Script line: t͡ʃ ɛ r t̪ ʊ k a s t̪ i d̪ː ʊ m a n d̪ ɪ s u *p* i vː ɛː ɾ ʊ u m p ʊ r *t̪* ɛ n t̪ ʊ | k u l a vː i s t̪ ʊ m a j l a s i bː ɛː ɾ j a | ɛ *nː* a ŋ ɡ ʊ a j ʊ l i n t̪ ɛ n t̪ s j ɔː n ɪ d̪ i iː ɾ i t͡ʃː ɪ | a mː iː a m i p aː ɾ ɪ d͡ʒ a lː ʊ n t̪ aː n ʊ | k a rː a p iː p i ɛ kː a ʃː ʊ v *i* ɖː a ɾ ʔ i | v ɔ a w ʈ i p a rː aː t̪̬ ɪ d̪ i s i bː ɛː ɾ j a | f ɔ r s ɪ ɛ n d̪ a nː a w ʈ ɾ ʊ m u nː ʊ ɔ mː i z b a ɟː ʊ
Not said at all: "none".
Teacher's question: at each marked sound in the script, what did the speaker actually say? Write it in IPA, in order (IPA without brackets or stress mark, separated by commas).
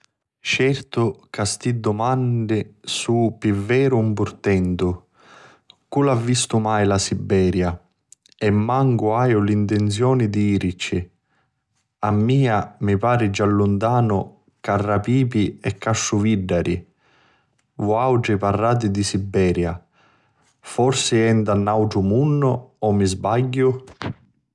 p, t̪, mː, i